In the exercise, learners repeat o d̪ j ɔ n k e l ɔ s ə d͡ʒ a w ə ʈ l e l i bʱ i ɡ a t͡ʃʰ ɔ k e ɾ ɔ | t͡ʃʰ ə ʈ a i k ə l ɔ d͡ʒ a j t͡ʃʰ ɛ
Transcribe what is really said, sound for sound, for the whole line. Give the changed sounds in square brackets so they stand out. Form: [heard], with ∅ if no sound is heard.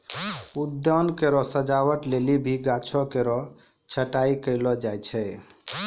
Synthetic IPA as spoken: [u] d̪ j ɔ n k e [ɾ] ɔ s ə d͡ʒ a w ə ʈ l e l i bʱ i ɡ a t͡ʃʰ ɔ k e ɾ ɔ | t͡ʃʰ ə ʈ a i k ə l ɔ d͡ʒ a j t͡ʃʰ ɛ

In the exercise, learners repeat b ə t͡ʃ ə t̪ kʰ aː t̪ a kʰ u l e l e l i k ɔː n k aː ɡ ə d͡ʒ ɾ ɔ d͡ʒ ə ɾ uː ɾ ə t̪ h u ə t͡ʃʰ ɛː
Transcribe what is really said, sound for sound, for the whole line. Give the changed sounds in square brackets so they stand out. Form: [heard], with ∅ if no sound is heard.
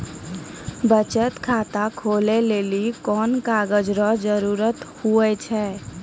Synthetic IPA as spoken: b ə t͡ʃ ə t̪ kʰ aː t̪ a kʰ [o] l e l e l i k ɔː n k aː ɡ ə d͡ʒ ɾ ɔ d͡ʒ ə ɾ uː ɾ ə t̪ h u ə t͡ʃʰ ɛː

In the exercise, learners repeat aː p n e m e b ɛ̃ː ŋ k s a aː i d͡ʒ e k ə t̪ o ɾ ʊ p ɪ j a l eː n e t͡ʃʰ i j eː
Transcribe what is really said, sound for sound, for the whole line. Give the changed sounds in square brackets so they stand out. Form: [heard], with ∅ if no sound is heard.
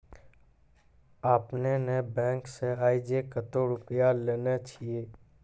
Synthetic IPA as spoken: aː p n e [n] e b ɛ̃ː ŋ k s [e] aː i d͡ʒ e k ə t̪ o ɾ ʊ p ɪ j a l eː n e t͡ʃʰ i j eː

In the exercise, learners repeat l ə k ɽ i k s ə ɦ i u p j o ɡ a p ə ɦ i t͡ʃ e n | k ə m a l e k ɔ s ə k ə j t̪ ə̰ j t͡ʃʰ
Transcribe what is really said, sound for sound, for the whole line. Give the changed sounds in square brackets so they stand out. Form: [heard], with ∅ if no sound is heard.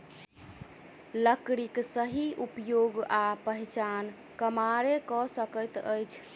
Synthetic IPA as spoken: l ə k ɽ i k s ə ɦ i u p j o ɡ a p ə ɦ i t͡ʃ [a] n | k ə m a [ɾ] e k ɔ s ə k ə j t̪ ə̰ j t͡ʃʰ

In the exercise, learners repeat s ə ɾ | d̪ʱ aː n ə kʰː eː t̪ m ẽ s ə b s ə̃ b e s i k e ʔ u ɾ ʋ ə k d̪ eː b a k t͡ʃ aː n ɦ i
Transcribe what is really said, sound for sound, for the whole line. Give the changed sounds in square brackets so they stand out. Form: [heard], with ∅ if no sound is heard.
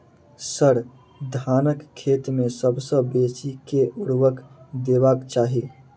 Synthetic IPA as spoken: s ə ɾ | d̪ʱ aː n ə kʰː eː t̪ m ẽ s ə b s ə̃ b e s i k e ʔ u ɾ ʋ ə k d̪ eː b a k t͡ʃ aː [∅] ɦ i

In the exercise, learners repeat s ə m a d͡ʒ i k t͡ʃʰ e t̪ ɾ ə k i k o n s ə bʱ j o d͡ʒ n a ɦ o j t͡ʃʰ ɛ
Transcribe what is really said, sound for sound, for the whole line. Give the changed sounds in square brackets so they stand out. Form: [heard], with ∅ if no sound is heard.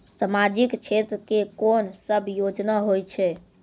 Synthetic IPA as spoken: s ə m a d͡ʒ i k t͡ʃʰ e t̪ ɾ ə k [e] k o n s ə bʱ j o d͡ʒ n a ɦ o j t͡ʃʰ ɛ

